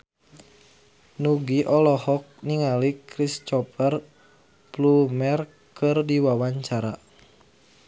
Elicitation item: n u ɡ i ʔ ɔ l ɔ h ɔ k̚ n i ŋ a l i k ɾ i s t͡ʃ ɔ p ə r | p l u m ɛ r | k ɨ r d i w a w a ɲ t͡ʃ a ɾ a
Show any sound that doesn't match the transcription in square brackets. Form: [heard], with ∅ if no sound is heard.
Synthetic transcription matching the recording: n u ɡ i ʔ ɔ l ɔ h ɔ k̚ n i ŋ a l i k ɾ i s t͡ʃ ɔ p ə r | p l u m ɛ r | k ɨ r d i w a w a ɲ t͡ʃ a ɾ a